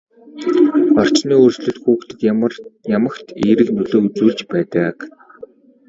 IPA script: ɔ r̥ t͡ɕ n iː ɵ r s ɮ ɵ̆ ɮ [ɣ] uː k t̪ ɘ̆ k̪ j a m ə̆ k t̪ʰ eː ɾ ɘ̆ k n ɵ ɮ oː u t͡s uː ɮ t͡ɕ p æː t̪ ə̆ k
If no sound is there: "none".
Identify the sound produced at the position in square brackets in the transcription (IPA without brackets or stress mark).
x